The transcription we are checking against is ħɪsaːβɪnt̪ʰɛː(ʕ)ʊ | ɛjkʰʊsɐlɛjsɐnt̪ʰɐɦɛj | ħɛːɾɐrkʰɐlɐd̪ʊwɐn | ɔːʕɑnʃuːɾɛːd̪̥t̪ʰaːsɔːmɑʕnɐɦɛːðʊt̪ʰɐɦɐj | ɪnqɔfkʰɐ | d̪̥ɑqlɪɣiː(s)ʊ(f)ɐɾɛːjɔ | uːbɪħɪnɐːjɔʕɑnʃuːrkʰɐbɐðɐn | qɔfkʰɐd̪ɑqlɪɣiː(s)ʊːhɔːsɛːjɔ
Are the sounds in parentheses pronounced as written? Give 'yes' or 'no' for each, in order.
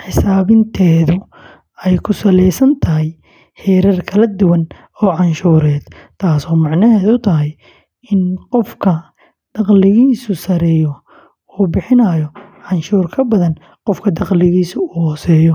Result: no, yes, no, yes

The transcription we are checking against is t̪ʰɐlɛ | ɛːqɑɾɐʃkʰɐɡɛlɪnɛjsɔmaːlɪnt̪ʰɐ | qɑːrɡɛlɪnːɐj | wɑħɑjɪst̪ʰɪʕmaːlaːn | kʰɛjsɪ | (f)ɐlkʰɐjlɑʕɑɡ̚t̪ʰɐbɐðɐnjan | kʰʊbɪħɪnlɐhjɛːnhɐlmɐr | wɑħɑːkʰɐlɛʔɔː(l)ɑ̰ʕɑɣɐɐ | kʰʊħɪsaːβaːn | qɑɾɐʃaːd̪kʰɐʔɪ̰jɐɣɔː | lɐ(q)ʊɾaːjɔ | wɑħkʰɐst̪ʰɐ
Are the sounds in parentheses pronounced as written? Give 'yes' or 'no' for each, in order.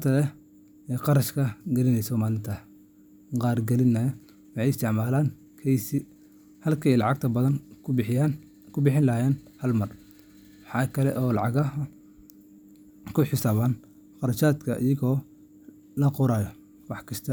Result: no, yes, yes

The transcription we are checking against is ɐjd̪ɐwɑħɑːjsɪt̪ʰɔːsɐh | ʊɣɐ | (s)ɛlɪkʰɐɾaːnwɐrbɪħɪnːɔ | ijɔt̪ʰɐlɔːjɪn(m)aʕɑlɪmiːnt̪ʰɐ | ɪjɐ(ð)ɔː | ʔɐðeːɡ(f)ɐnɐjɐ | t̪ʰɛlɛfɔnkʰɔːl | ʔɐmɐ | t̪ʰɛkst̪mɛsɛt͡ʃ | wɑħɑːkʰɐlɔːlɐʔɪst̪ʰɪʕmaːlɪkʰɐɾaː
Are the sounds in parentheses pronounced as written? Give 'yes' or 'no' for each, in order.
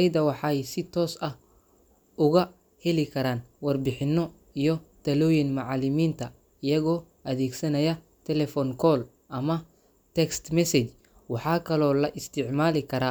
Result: no, yes, no, no

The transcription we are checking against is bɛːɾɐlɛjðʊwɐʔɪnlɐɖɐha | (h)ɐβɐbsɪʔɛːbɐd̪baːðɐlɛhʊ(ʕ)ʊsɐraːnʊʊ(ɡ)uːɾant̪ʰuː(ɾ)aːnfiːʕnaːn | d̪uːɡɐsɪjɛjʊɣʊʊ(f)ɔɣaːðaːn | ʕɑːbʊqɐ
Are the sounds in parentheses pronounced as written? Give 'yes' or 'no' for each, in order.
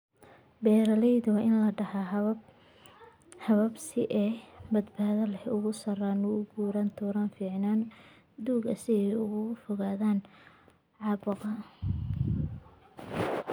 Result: yes, no, yes, yes, yes

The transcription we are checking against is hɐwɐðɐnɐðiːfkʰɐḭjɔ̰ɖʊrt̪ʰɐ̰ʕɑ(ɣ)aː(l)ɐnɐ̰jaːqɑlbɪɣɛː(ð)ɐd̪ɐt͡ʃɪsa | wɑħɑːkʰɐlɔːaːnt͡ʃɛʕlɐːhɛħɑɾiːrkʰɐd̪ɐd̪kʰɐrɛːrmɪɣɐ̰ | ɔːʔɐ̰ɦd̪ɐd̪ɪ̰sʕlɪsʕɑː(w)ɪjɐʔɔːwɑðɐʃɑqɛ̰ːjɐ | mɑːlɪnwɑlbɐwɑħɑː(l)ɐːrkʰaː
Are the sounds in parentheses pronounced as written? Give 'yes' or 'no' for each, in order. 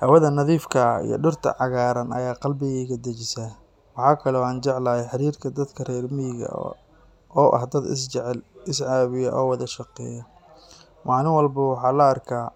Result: yes, no, no, no, yes

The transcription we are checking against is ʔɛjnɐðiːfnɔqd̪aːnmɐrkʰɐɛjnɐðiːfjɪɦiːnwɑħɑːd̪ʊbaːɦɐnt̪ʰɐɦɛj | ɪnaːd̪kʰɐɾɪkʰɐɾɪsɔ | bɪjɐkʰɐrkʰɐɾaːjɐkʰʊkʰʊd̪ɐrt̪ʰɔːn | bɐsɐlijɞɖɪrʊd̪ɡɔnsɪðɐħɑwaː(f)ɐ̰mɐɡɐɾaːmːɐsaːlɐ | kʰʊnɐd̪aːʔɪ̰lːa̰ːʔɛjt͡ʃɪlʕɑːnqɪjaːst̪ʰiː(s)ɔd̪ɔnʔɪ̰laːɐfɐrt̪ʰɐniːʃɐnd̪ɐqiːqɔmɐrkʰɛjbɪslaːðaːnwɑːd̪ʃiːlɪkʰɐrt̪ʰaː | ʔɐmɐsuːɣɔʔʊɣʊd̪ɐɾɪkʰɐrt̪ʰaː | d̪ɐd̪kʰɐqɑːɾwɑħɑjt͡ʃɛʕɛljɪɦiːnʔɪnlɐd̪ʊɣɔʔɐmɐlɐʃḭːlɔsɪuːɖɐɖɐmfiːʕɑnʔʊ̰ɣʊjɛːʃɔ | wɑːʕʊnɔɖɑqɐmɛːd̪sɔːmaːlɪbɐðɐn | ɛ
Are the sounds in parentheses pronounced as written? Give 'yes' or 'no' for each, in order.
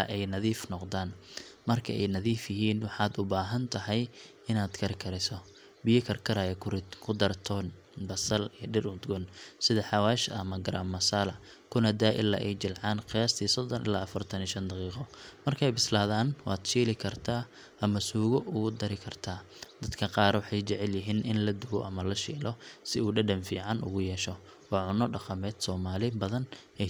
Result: no, yes

